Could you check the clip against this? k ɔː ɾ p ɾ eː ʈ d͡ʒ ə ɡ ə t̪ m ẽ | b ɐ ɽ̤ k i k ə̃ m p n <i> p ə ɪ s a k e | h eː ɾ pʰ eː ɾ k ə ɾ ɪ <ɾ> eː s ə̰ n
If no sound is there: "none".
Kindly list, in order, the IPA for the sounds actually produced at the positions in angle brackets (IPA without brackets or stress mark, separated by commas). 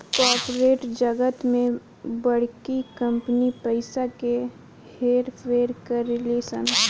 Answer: i, l